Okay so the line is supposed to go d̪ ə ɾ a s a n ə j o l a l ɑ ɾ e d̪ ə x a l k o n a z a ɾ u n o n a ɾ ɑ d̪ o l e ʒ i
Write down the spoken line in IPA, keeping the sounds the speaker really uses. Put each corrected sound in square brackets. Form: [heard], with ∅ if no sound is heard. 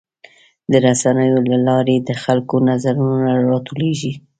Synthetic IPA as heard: d̪ ə ɾ a s a n ə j o l a l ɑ ɾ e d̪ ə x a l k o n a z a ɾ u n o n a ɾ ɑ [t̪] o l e ʒ i